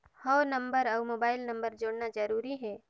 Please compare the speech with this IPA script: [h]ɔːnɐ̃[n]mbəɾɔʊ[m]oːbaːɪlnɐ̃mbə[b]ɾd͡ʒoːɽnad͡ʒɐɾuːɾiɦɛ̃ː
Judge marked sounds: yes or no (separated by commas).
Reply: yes, no, yes, no